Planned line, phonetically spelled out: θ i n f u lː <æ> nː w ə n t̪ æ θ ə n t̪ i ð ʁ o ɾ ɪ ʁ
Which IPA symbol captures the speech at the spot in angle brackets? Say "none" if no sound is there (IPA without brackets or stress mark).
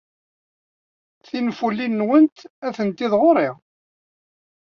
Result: i